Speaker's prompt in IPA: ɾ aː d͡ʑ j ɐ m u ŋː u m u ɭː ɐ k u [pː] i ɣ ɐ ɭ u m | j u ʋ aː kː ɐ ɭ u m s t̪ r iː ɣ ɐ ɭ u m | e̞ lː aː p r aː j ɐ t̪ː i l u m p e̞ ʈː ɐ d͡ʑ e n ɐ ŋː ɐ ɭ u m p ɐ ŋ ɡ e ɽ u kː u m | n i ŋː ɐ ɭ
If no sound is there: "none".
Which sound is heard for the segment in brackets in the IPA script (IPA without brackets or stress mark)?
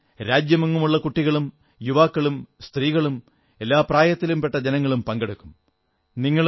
ʈː